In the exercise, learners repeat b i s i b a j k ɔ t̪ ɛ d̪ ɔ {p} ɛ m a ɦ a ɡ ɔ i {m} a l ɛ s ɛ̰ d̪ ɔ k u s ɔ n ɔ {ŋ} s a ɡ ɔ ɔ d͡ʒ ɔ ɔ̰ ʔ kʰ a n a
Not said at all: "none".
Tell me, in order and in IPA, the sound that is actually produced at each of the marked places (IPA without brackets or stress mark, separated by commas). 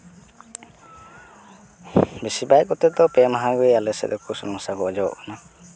p, none, ŋ